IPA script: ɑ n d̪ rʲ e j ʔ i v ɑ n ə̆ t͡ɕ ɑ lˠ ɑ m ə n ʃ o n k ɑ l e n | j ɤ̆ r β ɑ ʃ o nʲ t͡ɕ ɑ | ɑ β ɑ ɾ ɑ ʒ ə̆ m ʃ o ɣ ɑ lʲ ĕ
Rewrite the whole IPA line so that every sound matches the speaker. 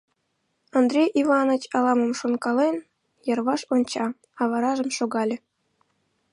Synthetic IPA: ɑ n d̪ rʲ e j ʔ i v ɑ n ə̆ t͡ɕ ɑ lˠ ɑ m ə m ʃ o n k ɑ l e n | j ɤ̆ r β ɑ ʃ o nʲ t͡ɕ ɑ | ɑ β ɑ ɾ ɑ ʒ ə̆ m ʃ o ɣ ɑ lʲ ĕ